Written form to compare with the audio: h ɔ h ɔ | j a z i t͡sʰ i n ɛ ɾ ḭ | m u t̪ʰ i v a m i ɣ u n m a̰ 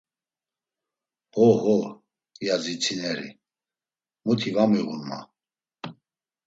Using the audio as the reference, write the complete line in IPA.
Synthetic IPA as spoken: h ɔ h ɔ | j a z i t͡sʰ i n ɛ ɾ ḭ | m u t̪ʰ i v a m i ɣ u n m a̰